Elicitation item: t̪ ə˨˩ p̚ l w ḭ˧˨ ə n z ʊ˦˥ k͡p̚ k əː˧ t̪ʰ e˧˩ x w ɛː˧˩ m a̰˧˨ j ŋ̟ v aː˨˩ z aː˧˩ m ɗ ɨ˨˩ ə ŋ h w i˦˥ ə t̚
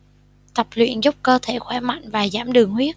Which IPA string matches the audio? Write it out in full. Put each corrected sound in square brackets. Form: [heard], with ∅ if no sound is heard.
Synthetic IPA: t̪ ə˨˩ p̚ l w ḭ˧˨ ə n z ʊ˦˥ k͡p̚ k əː˧ t̪ʰ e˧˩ x w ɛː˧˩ m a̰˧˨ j ŋ̟ v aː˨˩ z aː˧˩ m ɗ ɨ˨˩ ə ŋ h w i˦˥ ə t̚